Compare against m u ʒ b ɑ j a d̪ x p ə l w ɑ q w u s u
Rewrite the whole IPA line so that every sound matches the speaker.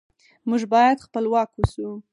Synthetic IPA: m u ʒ b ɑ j a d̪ x p ə l w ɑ k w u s u